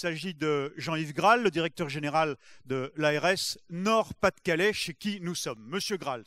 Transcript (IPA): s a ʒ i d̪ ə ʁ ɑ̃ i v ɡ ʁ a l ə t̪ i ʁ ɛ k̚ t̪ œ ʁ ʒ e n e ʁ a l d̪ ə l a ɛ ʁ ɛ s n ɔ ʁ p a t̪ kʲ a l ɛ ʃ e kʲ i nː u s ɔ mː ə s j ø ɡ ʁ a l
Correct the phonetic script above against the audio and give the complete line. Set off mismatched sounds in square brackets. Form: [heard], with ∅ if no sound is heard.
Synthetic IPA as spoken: s a ʒ i d̪ ə [ʒ] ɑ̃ i v ɡ ʁ a [lː] ə [d̪] i ʁ ɛ k̚ t̪ œ ʁ ʒ e n e ʁ a l d̪ ə l a ɛ ʁ ɛ s n ɔ ʁ p a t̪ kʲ a l ɛ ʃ e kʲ i [n] u s ɔ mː ə s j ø ɡ ʁ a l